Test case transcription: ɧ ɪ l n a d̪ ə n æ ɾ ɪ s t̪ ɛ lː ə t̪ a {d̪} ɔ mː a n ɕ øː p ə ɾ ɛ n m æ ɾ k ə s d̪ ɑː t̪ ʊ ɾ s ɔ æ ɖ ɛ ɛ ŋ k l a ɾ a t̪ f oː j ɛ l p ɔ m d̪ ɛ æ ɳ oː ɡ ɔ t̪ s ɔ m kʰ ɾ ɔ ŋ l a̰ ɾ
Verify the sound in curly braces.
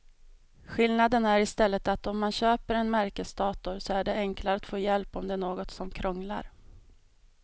incorrect: t̪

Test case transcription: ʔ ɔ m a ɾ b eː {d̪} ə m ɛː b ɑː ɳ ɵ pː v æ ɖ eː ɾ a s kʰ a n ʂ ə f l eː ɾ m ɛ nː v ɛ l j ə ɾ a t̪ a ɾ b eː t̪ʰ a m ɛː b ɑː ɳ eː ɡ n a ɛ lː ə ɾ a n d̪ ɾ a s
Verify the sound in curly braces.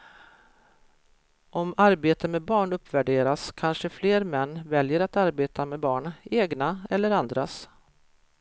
incorrect: t̪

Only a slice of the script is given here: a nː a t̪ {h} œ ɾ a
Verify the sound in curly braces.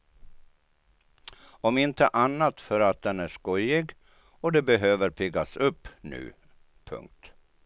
incorrect: f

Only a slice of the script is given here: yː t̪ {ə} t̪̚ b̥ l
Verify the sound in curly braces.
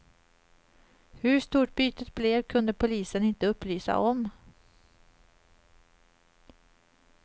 correct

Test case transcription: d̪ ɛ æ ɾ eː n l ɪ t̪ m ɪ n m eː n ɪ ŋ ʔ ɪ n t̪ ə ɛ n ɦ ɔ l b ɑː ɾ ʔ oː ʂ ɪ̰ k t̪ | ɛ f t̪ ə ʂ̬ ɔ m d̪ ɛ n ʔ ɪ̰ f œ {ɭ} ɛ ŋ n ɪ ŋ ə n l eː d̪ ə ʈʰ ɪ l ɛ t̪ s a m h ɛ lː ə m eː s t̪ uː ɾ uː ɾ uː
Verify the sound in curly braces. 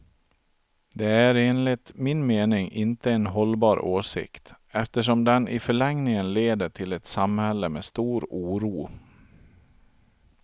correct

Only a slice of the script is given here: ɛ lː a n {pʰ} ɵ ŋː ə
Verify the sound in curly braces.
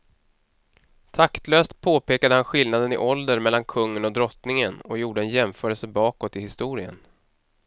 incorrect: kʰ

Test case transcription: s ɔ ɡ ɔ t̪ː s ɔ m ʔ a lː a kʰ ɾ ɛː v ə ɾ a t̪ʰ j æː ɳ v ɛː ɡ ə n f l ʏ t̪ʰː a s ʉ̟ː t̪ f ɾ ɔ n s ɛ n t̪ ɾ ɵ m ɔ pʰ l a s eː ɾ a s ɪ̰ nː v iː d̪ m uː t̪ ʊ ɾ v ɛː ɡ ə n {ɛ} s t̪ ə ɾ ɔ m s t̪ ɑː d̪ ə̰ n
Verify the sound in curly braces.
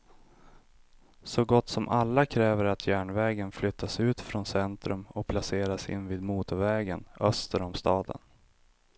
incorrect: œ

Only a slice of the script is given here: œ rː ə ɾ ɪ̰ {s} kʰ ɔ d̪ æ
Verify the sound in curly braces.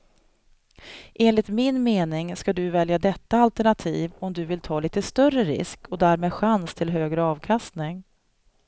correct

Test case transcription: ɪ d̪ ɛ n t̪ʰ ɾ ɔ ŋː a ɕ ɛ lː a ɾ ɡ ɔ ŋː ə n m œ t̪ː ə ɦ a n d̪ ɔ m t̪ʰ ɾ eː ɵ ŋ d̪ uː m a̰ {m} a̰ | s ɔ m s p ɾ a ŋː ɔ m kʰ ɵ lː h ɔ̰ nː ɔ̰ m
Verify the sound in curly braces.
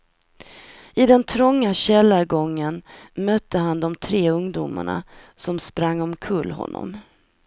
incorrect: ɳ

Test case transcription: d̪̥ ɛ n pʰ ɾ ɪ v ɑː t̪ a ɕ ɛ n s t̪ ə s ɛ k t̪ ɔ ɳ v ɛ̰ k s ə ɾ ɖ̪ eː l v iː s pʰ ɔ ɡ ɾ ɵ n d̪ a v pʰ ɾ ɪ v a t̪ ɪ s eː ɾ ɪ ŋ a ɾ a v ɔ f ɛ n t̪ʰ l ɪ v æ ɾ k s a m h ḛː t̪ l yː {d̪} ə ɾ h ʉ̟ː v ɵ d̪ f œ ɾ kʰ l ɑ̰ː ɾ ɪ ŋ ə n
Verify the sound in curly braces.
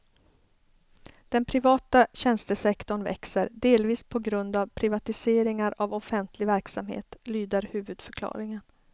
correct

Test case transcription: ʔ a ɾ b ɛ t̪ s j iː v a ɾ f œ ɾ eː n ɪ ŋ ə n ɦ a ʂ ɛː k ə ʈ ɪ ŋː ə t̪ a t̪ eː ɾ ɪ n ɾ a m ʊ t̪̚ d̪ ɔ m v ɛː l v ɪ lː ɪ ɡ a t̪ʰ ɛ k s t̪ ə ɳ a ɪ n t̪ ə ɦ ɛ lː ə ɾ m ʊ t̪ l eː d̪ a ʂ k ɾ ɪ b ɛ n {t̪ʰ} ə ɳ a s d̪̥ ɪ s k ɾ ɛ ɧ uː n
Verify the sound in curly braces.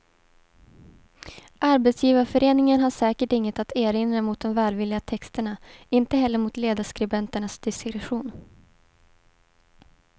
incorrect: t̪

